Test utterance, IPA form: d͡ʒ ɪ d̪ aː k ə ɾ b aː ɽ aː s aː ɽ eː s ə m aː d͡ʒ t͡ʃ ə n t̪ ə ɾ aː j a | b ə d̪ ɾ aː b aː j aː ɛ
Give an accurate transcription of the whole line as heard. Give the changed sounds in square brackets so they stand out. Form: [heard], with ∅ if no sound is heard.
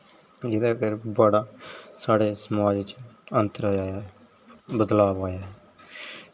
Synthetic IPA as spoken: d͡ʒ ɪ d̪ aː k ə ɾ b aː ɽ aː s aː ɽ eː s ə m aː d͡ʒ t͡ʃ ə n t̪ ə ɾ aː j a | b ə d̪ [l] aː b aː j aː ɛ